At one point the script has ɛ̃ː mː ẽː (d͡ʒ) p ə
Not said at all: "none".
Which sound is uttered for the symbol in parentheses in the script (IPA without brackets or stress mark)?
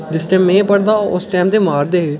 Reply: none